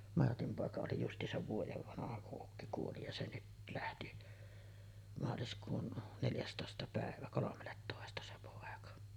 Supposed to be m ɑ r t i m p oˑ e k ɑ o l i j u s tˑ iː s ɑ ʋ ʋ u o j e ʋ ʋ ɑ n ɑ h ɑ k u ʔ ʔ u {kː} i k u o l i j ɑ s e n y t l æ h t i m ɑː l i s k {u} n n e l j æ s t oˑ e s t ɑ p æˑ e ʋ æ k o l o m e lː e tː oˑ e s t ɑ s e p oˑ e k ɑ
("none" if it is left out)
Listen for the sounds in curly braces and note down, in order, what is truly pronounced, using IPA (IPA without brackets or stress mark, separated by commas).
kː, uː